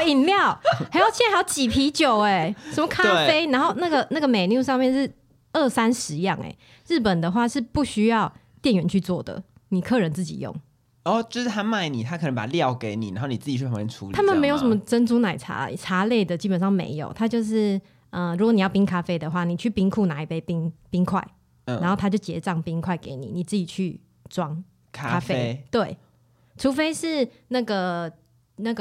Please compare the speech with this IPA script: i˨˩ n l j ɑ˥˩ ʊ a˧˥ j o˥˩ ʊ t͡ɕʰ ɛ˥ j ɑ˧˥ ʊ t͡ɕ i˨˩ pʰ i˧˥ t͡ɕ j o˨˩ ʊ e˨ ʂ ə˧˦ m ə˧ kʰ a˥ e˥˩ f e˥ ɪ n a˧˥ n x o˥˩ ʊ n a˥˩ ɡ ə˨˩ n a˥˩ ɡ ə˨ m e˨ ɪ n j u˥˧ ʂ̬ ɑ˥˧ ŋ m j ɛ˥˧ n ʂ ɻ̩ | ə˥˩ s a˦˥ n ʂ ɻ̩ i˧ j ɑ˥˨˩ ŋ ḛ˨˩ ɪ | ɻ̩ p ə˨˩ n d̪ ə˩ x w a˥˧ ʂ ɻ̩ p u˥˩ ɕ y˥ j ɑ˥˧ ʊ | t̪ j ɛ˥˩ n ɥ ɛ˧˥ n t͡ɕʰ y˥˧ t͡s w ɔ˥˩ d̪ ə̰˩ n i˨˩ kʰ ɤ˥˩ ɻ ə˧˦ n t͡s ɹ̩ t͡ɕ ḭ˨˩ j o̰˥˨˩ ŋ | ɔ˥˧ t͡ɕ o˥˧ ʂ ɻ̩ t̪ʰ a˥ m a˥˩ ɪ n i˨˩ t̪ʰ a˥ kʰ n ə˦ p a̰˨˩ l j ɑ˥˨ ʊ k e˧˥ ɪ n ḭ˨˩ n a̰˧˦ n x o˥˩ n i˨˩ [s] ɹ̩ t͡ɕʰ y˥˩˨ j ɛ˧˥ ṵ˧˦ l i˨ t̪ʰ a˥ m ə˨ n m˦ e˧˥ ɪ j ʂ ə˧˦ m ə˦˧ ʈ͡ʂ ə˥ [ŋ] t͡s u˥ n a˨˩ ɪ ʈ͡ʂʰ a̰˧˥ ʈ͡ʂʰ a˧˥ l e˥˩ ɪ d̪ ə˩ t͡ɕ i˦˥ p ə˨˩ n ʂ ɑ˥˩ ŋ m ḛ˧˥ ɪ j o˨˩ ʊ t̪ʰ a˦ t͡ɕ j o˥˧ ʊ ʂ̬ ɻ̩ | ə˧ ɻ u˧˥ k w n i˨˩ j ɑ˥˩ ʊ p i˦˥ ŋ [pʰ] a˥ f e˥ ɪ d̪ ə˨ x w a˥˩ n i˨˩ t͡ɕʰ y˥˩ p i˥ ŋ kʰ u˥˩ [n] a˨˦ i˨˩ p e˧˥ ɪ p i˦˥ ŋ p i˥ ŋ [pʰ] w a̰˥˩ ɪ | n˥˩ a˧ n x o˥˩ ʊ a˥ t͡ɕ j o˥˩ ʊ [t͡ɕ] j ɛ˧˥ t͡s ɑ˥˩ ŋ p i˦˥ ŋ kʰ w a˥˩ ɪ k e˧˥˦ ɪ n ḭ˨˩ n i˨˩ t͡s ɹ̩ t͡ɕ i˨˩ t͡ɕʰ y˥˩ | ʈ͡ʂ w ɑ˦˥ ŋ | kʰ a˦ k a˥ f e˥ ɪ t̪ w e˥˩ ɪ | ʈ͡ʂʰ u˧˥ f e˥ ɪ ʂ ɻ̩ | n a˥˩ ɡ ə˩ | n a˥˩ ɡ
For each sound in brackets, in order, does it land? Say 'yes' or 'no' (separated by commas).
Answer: no, no, no, yes, no, yes